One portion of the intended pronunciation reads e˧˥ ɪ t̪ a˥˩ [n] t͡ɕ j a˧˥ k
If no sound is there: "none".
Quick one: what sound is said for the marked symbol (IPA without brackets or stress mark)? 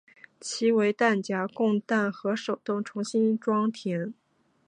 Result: n